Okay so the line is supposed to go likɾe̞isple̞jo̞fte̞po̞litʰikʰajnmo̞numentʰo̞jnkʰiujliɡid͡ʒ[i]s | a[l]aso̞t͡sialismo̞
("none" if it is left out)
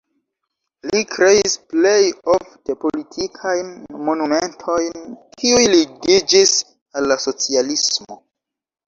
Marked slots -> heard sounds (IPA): i, lː

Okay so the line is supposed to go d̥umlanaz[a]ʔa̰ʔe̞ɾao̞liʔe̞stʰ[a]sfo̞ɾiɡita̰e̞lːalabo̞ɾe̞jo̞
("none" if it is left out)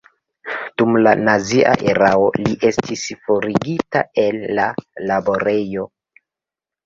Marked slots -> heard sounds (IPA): i, i

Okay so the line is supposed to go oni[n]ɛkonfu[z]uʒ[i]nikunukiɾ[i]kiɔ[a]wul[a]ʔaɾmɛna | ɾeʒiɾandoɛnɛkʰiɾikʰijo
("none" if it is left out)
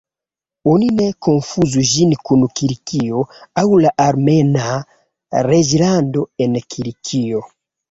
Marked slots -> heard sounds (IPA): n, z, i, i, a, a

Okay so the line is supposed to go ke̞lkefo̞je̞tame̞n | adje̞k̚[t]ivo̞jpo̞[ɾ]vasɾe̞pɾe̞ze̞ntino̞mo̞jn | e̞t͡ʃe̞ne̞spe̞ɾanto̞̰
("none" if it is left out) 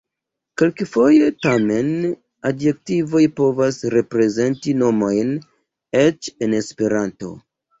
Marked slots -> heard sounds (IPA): t, none

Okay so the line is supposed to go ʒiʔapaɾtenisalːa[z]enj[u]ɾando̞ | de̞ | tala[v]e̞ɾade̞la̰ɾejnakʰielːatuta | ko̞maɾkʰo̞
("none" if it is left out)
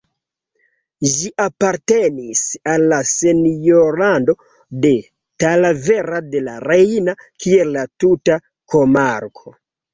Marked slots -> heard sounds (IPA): s, o, v

